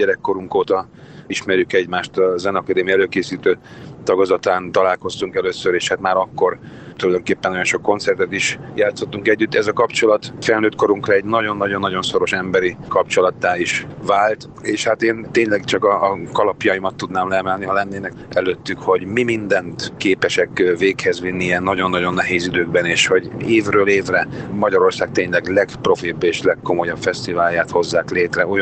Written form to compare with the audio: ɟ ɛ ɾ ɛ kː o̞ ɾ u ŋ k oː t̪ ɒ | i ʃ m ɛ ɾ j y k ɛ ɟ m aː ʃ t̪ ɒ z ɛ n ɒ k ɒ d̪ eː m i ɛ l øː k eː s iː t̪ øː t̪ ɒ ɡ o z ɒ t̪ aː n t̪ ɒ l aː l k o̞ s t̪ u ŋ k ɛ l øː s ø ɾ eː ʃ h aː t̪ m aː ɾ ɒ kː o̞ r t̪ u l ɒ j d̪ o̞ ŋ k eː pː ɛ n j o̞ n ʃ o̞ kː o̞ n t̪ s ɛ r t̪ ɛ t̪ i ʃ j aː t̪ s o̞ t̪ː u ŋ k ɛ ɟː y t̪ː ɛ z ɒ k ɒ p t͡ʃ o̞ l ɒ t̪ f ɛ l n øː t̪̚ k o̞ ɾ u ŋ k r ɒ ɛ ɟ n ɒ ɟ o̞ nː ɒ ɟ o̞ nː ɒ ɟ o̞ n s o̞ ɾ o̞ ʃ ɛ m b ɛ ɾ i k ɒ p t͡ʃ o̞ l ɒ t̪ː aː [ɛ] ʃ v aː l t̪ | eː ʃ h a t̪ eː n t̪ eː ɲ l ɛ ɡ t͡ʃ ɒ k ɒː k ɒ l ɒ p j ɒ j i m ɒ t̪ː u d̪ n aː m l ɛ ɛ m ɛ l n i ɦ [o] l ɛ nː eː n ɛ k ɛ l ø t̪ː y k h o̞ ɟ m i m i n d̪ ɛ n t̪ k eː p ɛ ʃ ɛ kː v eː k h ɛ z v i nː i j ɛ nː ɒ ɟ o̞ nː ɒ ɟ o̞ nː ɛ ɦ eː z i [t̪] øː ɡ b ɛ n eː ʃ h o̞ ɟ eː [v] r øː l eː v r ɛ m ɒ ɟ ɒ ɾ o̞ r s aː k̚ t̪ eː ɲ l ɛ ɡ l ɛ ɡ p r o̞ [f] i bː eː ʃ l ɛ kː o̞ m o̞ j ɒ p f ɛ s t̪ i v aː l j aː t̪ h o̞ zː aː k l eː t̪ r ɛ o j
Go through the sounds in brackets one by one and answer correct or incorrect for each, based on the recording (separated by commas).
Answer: incorrect, incorrect, incorrect, correct, correct